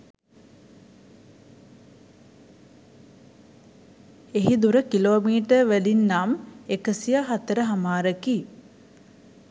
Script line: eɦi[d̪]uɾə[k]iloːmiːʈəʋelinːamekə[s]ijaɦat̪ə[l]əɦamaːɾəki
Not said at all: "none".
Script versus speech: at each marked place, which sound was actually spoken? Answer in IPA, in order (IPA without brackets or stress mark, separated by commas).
d̪, k, s, ɾ